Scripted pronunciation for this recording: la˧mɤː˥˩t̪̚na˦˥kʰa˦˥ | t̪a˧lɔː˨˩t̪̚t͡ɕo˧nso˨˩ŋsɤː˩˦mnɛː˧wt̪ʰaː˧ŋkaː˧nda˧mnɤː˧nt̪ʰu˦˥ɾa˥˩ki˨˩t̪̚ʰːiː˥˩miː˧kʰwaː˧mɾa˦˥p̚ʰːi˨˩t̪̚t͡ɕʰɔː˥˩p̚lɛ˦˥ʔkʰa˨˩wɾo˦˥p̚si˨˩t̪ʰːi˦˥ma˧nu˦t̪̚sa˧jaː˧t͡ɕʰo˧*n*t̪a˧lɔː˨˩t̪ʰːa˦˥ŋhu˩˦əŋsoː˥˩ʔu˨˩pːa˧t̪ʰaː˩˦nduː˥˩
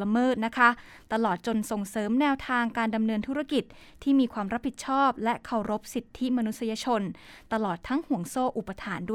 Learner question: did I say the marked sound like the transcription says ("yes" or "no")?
yes